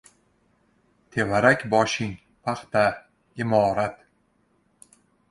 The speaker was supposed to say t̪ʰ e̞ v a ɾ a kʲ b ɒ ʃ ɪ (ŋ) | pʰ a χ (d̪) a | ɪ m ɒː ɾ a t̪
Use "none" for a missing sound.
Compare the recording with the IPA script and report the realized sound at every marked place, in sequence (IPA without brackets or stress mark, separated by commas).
ŋ, t̪